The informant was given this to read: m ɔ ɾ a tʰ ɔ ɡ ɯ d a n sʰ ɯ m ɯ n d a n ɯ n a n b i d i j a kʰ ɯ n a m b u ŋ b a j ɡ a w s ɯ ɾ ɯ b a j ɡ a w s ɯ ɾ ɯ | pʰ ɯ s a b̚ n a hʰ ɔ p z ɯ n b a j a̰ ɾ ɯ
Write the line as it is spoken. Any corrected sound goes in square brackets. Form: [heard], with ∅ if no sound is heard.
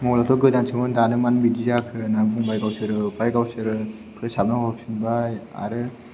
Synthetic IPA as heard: m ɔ [l] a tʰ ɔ ɡ ɯ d a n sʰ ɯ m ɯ n d a n ɯ [m] a n b i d i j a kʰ ɯ n a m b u ŋ b a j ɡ a w s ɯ ɾ ɯ b a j ɡ a w s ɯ ɾ ɯ | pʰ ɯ s a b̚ n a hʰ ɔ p [s] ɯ n b a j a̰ ɾ ɯ